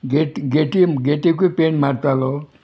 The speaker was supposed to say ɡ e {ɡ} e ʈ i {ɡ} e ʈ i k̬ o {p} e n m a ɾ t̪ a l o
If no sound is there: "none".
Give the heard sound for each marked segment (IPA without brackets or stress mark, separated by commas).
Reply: ɡ, ɡ, p